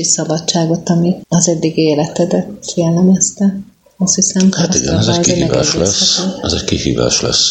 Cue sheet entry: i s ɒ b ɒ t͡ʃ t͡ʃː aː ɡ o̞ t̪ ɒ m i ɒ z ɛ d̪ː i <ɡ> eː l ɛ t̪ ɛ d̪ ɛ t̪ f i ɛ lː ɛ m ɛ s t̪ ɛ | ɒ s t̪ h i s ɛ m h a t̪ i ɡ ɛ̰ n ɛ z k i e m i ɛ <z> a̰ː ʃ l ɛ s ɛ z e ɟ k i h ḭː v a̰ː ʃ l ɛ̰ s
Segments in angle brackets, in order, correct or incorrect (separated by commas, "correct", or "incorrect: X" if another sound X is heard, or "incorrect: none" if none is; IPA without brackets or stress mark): correct, incorrect: v